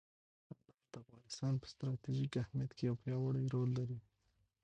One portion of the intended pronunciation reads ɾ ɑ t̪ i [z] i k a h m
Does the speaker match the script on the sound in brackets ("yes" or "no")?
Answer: no